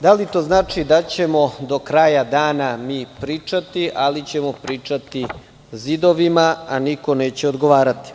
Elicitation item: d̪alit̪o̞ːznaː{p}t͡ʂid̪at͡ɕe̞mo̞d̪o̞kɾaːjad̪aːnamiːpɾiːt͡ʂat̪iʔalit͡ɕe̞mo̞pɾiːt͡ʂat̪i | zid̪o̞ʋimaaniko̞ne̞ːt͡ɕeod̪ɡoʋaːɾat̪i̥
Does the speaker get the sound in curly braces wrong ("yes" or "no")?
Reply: yes